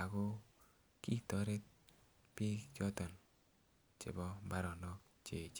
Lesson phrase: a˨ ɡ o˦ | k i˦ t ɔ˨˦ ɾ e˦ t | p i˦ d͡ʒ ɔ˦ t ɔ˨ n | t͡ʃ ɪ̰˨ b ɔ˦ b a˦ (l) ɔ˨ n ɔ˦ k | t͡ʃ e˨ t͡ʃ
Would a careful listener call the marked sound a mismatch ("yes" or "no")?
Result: yes